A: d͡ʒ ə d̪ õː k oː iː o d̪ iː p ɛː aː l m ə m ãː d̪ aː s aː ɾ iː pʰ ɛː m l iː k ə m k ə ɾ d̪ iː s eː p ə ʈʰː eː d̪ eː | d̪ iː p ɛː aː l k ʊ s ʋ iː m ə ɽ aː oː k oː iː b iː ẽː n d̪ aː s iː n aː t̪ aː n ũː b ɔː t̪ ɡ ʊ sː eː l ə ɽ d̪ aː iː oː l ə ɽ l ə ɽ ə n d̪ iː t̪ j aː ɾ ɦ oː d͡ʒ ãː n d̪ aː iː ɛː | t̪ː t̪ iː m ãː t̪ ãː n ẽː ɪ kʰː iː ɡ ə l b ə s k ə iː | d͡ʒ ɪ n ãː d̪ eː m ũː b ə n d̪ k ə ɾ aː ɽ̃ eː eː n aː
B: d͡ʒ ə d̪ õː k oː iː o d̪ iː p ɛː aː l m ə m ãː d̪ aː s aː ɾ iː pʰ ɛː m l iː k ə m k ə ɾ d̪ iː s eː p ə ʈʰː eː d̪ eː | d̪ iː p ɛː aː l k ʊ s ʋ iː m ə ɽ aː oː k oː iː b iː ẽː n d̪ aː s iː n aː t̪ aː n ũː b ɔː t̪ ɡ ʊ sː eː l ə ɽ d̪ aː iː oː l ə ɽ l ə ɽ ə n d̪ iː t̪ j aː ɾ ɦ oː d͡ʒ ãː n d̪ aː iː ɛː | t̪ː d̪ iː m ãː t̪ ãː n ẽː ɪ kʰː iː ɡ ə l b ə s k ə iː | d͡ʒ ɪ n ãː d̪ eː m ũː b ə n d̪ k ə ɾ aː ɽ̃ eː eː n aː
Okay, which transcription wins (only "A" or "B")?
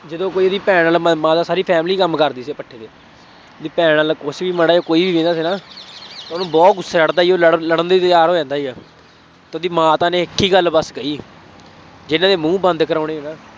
B